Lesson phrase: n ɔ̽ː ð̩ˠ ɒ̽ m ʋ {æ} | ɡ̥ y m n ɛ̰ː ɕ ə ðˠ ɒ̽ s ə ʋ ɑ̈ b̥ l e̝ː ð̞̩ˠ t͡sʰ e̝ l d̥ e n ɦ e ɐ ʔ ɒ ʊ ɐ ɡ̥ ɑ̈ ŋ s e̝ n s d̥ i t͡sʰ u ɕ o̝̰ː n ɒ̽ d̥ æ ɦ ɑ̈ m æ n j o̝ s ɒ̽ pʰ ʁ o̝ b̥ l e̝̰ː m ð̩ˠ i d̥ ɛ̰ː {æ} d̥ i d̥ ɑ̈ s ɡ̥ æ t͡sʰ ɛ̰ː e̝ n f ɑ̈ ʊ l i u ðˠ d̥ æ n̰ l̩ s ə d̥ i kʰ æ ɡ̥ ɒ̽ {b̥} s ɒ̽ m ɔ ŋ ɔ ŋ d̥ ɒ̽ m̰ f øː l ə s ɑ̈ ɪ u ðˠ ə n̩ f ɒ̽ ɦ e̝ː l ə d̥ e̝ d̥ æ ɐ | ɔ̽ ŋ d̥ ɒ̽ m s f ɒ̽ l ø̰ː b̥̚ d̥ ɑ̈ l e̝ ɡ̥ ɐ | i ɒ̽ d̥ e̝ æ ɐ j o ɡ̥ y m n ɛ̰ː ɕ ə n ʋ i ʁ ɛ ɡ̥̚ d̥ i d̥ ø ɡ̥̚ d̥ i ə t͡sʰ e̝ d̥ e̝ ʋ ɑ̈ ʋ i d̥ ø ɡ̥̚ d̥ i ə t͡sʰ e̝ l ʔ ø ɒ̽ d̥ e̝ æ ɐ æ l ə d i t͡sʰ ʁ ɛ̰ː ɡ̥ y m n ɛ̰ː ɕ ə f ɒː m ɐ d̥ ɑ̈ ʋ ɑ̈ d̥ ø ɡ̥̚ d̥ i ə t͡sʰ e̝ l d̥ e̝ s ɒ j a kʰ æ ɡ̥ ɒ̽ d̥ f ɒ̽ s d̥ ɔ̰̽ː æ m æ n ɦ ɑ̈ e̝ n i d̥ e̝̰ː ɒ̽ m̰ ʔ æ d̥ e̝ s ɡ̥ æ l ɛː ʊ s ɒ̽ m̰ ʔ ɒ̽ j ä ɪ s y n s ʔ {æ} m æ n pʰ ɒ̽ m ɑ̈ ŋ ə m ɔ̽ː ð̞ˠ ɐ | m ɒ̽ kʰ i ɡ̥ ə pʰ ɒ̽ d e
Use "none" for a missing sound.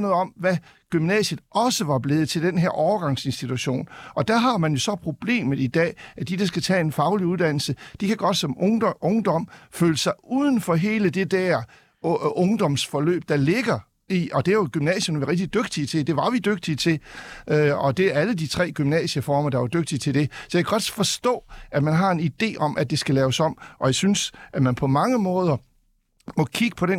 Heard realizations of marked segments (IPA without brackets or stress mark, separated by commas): æ, æ, d̥, æ